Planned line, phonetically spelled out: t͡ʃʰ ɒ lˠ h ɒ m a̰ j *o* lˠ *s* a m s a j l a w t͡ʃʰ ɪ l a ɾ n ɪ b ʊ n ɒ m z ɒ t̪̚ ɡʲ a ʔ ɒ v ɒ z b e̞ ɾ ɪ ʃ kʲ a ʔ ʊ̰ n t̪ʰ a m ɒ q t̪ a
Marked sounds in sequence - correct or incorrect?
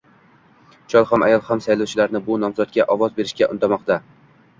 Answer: incorrect, incorrect

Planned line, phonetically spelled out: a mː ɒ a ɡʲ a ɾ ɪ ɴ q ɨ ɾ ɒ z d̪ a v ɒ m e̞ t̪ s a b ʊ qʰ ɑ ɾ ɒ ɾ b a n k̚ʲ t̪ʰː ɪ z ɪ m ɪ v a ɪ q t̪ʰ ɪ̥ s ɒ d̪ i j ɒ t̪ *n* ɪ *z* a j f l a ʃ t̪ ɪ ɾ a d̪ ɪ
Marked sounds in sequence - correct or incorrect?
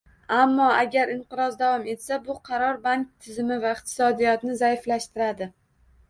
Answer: correct, correct

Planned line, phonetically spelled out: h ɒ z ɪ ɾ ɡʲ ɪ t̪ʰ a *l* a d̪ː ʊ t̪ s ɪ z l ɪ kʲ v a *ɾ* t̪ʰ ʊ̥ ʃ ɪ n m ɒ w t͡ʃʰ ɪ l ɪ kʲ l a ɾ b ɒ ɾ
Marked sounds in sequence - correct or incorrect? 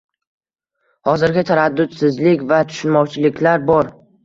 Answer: incorrect, incorrect

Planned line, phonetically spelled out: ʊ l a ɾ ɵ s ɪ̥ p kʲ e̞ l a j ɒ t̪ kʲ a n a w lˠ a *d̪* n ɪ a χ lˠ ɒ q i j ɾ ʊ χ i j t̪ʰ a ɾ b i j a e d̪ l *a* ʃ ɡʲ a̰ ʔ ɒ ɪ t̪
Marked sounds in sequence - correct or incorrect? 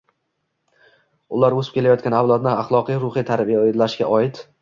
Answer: correct, correct

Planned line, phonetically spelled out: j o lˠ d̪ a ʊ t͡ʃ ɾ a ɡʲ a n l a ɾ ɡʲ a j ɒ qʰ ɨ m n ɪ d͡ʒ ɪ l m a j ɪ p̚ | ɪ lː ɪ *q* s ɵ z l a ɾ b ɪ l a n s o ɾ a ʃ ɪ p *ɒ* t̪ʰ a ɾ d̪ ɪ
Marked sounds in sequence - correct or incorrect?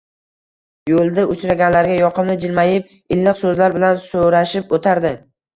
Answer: correct, incorrect

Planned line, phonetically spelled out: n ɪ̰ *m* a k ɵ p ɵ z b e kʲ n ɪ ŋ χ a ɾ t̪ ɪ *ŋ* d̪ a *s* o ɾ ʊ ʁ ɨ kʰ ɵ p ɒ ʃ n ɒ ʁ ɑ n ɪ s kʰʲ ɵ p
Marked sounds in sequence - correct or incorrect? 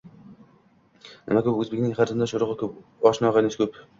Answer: correct, incorrect, incorrect

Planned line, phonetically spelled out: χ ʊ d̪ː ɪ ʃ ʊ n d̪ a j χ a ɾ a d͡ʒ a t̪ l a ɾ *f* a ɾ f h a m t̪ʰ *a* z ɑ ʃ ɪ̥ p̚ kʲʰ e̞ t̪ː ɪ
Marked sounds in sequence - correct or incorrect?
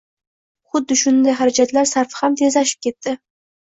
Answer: incorrect, incorrect

